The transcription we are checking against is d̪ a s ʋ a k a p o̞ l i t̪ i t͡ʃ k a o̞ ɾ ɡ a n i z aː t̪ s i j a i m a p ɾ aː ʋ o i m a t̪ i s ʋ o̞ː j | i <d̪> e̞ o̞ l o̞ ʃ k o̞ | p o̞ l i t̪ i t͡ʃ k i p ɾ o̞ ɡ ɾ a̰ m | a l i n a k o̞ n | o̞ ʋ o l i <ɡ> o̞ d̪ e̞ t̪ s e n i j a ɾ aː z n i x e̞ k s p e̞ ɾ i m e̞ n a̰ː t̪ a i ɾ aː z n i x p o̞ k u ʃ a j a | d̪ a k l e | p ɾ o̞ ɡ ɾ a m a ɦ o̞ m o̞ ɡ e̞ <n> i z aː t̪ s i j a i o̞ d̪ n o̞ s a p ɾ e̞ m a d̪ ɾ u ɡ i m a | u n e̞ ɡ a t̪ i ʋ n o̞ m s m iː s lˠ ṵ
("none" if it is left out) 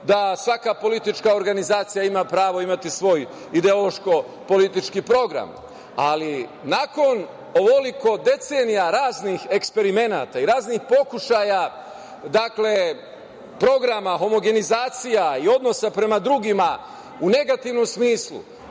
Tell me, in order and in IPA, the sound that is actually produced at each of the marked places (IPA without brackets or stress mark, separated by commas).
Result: d̪, k, n